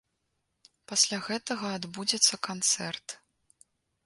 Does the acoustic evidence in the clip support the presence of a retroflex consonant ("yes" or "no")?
no